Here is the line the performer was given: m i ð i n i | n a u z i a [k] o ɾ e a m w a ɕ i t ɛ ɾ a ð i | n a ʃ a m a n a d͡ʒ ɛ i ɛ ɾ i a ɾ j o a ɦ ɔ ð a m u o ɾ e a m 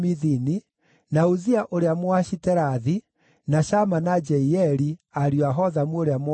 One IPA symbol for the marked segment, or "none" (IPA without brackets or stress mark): ʔ